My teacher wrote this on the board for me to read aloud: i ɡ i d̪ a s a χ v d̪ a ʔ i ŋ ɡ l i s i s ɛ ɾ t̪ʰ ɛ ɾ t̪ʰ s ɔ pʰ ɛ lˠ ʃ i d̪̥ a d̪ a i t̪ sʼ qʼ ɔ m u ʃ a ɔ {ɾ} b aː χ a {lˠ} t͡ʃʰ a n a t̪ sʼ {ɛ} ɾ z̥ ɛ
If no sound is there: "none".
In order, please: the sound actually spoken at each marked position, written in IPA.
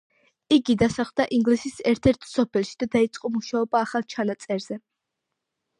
none, lˠ, ɛ

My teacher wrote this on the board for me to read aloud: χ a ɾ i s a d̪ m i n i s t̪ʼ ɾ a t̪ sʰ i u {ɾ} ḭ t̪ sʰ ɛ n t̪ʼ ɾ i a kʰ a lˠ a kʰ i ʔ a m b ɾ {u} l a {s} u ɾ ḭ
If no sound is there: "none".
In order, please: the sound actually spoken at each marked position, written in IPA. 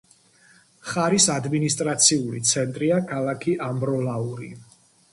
l, ɔ, none

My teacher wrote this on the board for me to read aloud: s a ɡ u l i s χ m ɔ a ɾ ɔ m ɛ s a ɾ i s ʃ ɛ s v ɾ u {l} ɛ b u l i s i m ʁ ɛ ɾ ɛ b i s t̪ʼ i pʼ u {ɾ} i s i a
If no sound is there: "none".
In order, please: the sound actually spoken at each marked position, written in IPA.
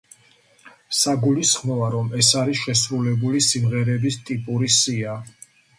l, ɾ

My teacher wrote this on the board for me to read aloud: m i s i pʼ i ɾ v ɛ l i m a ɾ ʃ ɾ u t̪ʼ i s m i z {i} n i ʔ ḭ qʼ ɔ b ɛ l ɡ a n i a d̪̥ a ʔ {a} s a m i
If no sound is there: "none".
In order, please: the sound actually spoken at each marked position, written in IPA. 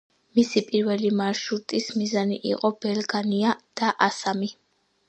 a, a

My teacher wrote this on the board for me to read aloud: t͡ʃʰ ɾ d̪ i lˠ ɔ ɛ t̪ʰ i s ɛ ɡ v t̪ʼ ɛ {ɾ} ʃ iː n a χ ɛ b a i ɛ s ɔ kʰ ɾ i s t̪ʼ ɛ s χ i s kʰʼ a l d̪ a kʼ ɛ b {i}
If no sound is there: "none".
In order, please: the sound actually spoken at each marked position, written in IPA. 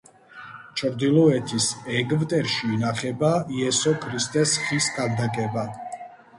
ɾ, a

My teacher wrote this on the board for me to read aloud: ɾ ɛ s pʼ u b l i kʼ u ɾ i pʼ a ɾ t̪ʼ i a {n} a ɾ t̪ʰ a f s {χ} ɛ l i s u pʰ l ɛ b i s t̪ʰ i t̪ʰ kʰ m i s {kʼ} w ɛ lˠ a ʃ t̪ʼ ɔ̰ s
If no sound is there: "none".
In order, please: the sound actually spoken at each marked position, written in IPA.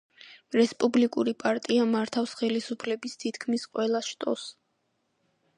m, χ, qʼ

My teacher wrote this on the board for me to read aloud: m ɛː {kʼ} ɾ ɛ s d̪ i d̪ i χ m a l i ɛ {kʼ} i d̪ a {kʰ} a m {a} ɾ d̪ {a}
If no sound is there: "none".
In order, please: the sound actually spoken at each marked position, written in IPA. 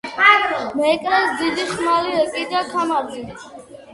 kʼ, kʼ, kʰ, a, i

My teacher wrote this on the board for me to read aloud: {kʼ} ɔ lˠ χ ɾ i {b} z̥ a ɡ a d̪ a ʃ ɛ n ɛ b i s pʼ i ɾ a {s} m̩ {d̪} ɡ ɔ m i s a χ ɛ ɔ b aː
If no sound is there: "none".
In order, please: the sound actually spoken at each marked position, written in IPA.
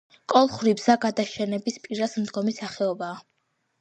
kʼ, b, s, d̪

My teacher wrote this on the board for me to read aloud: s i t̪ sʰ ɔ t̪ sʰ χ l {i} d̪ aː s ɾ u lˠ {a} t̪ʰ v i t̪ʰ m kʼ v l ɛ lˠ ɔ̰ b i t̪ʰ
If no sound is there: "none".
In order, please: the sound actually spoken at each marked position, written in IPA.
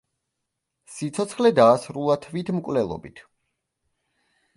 ɛ, a

